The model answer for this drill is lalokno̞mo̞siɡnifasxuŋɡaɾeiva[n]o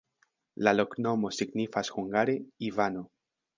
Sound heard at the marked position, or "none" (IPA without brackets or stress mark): n